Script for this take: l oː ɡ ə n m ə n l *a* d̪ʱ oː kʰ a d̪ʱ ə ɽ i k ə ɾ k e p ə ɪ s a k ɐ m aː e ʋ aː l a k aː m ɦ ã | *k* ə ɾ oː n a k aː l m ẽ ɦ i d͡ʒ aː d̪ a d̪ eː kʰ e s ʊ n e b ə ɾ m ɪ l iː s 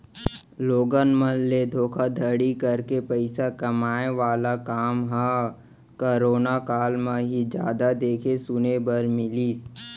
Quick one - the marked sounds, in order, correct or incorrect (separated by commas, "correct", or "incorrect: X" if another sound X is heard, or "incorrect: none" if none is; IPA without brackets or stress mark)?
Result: incorrect: e, correct